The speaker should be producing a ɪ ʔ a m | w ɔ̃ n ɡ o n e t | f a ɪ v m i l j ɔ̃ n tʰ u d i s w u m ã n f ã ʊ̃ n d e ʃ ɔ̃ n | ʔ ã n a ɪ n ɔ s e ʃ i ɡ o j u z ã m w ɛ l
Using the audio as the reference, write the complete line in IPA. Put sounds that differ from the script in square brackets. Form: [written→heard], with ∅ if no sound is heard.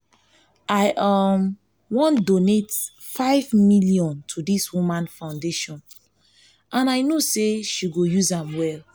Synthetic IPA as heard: a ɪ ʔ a m | w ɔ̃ n [ɡ→d] o n e t | f a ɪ v m i l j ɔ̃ n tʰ u d i s w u m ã n f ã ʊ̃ n d e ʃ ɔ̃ n | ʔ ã n a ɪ n [ɔ→o] s e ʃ i ɡ o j u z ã m w ɛ l